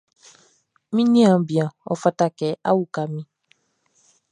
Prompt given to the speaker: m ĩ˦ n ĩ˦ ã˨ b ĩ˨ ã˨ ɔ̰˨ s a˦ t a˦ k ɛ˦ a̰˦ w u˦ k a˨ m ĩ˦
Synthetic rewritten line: m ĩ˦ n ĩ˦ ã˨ b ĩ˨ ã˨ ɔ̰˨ f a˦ t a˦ k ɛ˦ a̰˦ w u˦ k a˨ m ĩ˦